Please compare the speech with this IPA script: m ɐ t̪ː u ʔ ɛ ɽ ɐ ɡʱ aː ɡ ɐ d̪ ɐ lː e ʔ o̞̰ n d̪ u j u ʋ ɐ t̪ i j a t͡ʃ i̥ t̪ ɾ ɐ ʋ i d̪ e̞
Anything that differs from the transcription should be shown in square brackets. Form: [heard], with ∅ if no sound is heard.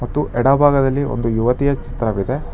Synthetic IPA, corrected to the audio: m ɐ t̪ː u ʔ ɛ ɽ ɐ [bʱ] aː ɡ ɐ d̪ ɐ lː [i] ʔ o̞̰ n d̪ u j u ʋ ɐ t̪ i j [ɐ] t͡ʃ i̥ t̪ ɾ ɐ ʋ i d̪ e̞